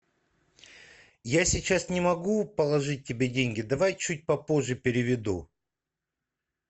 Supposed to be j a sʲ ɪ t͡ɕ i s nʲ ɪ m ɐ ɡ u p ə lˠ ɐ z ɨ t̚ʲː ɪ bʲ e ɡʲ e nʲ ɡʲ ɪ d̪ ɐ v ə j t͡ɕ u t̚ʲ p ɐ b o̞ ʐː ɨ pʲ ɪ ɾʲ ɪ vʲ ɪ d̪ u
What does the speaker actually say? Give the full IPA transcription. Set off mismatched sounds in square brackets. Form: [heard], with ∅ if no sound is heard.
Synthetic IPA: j a sʲ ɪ t͡ɕ [a] s nʲ ɪ m ɐ ɡ u p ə lˠ ɐ [ʐ] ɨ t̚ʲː ɪ bʲ e [dʲ] e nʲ ɡʲ ɪ d̪ ɐ v [a] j t͡ɕ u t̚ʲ p ɐ [p] o̞ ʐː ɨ pʲ ɪ ɾʲ ɪ vʲ ɪ d̪ u